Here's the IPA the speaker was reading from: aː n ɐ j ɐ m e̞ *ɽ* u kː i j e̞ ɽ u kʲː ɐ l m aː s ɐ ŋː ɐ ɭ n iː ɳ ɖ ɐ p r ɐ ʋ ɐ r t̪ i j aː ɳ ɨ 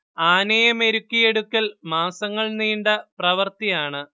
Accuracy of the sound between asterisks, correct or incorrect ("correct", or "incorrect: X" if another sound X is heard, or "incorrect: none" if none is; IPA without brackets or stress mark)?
incorrect: ɾ